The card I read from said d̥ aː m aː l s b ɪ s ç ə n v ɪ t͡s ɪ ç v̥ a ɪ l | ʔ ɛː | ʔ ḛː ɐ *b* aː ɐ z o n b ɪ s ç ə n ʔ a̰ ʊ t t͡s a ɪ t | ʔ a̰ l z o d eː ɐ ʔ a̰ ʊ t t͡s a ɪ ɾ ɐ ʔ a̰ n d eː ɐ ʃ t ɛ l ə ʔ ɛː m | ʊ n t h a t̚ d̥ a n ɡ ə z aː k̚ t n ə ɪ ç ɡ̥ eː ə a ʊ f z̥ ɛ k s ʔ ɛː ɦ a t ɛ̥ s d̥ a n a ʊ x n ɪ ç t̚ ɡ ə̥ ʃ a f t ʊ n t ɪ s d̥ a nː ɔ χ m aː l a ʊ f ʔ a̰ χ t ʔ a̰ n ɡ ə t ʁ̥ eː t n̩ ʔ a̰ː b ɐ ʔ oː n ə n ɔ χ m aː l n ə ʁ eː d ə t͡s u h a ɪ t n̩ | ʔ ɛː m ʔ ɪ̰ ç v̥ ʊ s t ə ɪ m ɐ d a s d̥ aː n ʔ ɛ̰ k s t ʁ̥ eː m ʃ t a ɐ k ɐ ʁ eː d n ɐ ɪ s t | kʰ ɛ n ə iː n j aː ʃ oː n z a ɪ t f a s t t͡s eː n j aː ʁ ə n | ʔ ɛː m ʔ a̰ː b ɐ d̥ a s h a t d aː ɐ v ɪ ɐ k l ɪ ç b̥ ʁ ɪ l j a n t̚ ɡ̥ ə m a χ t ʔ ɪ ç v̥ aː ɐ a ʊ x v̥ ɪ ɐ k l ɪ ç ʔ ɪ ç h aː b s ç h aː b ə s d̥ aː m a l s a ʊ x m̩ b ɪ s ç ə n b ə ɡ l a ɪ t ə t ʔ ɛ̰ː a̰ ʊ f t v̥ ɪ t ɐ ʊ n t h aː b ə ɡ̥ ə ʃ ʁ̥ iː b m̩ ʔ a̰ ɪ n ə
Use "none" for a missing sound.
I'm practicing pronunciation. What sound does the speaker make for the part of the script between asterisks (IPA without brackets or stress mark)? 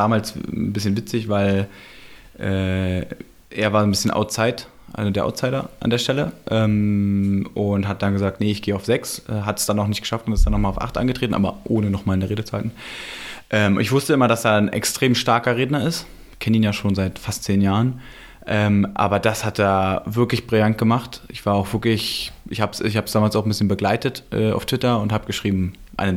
v